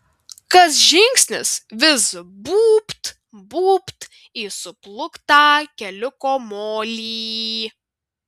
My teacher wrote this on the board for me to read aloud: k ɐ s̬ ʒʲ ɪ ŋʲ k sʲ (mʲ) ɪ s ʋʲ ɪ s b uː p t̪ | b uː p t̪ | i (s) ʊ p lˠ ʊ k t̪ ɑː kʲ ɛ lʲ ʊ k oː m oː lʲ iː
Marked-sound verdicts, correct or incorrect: incorrect: nʲ, correct

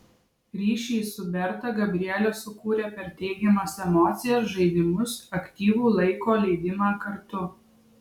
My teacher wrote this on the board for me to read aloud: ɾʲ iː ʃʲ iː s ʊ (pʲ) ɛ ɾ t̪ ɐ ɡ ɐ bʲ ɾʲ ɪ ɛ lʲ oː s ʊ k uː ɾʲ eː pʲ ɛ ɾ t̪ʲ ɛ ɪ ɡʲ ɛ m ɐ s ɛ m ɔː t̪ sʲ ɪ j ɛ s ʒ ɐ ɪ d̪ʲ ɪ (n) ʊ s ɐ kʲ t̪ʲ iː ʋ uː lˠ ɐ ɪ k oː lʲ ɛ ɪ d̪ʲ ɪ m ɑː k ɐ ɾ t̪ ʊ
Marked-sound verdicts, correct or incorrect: incorrect: bʲ, incorrect: m

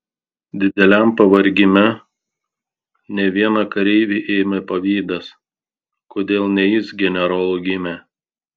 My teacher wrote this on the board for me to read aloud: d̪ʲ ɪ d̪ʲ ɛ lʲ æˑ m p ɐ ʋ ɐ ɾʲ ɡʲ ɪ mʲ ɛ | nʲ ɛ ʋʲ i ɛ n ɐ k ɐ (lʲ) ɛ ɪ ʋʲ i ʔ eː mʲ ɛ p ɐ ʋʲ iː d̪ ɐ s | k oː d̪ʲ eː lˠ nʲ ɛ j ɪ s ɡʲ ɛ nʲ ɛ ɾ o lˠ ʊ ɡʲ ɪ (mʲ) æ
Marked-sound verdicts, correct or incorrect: incorrect: ɾʲ, correct

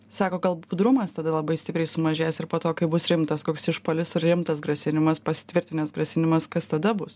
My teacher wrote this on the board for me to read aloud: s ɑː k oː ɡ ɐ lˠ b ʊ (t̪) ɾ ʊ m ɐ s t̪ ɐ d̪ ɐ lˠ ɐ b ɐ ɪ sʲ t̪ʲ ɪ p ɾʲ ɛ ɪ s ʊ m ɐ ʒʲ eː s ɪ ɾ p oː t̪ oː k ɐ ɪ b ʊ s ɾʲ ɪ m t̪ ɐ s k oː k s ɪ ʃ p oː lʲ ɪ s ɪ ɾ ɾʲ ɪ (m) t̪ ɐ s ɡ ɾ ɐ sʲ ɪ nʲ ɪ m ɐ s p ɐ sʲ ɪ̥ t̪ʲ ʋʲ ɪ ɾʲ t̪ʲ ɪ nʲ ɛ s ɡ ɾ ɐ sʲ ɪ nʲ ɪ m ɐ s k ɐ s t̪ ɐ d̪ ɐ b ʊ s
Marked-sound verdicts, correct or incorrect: incorrect: d̪, correct

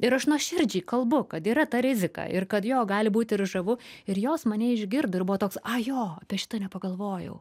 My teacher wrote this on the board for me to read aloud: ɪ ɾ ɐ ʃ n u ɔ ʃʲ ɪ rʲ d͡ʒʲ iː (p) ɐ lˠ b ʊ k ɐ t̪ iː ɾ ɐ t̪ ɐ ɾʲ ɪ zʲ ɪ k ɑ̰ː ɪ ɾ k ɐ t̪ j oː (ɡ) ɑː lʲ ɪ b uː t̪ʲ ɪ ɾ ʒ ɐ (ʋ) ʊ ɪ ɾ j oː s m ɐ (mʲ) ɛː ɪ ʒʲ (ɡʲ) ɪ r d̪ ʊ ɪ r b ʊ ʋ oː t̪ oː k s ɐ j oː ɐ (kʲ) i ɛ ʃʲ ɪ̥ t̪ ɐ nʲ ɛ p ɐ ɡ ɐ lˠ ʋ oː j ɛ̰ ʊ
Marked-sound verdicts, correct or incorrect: incorrect: k, correct, correct, incorrect: nʲ, correct, incorrect: pʲ

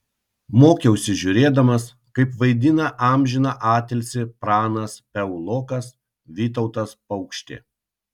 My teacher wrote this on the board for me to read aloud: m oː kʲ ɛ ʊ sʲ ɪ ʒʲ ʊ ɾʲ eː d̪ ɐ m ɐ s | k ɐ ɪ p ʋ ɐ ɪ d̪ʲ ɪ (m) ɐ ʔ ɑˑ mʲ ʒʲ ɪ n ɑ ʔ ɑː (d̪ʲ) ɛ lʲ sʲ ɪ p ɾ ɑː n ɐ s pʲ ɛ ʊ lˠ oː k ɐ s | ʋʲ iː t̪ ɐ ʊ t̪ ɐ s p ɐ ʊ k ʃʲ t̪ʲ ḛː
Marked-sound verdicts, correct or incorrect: incorrect: n, incorrect: t̪ʲ

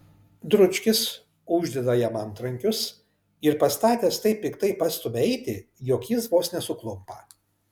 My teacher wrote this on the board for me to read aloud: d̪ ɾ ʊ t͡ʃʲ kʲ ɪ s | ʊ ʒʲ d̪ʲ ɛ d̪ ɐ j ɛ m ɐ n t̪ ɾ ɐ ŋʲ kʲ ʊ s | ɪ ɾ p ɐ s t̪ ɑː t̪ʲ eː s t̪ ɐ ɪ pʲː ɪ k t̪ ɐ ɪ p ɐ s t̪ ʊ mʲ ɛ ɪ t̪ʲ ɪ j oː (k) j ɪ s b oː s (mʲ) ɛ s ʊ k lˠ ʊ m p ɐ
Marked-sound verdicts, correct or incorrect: correct, incorrect: nʲ

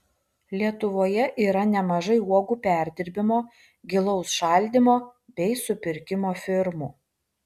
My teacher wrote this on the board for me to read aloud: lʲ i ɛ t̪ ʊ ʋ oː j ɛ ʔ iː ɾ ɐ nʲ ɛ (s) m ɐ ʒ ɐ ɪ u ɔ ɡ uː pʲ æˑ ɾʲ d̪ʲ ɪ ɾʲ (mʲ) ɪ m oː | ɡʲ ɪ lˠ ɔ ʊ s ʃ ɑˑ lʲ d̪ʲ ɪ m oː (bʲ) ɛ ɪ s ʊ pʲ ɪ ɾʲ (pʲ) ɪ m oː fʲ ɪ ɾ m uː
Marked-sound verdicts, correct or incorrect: incorrect: none, incorrect: bʲ, correct, incorrect: kʲ

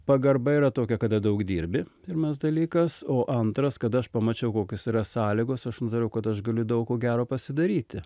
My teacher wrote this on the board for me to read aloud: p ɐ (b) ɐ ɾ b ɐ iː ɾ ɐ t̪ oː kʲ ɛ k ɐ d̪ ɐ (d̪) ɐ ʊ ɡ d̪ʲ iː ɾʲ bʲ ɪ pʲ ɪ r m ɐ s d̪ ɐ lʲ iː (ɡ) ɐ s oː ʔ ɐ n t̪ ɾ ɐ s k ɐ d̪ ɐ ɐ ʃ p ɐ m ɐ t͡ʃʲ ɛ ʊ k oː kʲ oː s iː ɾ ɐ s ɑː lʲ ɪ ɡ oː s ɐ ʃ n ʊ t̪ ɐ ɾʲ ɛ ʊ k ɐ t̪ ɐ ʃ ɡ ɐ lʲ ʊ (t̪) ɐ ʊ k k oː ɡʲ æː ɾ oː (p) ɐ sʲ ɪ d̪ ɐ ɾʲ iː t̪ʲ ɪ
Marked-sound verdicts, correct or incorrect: incorrect: ɡ, correct, incorrect: k, incorrect: d̪, correct

